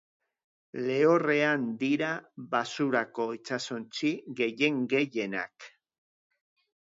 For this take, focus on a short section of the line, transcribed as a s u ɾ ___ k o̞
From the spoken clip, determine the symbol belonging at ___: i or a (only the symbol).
a